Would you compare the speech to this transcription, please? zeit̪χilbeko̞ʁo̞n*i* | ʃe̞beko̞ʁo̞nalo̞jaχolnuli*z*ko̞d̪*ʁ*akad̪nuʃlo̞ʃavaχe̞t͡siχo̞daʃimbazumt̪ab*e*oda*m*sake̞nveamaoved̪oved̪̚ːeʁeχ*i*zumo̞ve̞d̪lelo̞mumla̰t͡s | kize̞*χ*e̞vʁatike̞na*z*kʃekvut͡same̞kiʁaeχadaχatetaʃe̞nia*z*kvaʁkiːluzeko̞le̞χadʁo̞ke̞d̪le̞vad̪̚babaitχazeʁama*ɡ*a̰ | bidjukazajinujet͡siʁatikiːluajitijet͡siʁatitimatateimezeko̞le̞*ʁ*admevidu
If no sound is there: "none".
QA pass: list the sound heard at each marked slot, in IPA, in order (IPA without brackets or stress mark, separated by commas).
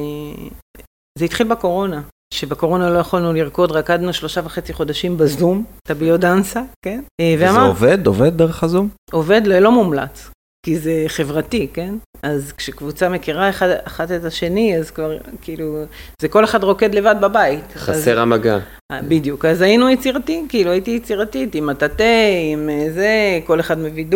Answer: a, ʁ, ʁ, i, n, a, χ, z, z, ɡ, χ